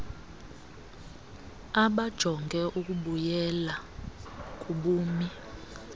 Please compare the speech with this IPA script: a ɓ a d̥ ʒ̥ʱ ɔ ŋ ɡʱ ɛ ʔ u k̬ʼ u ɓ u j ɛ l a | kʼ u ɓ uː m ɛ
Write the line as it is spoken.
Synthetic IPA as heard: a ɓ a d̥ ʒ̥ʱ ɔ ŋ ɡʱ ɛ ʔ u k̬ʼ u ɓ u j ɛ l a | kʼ u ɓ uː m i